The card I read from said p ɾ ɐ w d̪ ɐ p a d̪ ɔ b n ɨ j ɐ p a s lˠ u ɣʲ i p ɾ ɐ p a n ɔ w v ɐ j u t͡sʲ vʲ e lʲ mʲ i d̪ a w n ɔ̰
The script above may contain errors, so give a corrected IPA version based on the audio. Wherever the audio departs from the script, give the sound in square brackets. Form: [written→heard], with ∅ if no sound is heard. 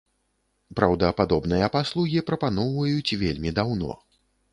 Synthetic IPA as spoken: p ɾ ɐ w d̪ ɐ p a d̪ ɔ b n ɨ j ɐ p a s lˠ u ɣʲ i p ɾ ɐ p a n ɔ w v ɐ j u t͡sʲ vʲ e lʲ mʲ i d̪ a w n ɔ̰